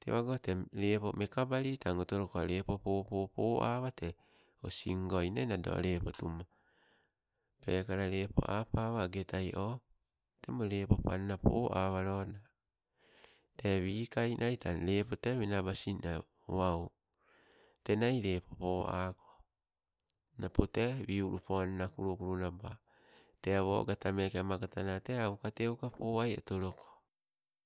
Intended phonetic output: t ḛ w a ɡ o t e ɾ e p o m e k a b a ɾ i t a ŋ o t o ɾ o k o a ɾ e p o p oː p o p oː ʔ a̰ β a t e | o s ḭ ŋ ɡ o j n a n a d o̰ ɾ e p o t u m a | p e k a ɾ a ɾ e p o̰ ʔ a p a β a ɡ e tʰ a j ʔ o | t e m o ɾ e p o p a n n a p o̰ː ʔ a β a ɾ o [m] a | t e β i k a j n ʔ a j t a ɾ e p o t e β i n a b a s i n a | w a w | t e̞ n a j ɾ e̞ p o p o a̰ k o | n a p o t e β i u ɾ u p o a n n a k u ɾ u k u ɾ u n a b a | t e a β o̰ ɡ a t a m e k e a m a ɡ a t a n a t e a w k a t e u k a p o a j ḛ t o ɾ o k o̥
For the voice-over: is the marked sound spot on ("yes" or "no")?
no